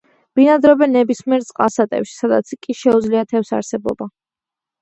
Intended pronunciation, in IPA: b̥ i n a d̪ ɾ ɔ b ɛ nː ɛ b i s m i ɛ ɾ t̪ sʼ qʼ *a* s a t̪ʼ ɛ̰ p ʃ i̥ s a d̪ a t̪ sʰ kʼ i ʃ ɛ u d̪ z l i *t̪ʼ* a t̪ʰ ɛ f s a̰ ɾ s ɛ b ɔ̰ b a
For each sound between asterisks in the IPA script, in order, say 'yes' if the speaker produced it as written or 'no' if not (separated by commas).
yes, no